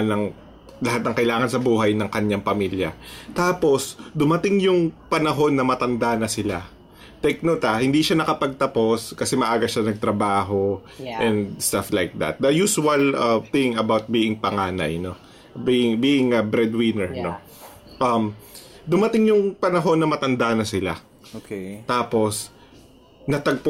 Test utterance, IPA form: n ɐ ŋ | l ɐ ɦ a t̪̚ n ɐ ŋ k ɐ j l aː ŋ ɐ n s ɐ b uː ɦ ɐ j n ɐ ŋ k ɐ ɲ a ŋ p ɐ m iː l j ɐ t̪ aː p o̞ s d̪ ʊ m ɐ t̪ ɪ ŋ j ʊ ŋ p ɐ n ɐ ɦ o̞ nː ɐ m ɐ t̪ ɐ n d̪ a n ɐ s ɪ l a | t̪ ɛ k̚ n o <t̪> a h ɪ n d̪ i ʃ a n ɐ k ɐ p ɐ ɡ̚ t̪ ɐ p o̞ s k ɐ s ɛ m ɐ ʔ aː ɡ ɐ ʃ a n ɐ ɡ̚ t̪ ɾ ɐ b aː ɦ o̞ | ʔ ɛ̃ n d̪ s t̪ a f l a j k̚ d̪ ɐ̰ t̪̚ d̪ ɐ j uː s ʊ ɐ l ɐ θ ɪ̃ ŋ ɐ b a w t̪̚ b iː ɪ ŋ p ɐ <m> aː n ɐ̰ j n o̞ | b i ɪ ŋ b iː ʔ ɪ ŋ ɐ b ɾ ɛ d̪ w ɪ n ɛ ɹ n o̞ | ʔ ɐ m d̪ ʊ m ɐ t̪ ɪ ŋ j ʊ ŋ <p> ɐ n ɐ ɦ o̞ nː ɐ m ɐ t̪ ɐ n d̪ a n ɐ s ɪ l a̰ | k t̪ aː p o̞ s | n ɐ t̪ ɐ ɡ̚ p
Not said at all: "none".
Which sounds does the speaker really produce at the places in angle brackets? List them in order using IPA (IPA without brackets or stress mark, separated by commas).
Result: t̪, ŋ, p